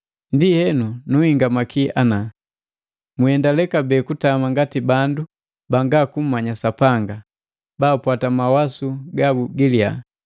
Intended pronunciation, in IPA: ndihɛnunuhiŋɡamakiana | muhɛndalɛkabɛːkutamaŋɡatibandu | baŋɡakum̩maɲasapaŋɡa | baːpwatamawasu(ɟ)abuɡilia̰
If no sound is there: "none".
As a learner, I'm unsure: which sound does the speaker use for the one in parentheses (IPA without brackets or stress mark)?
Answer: ɡ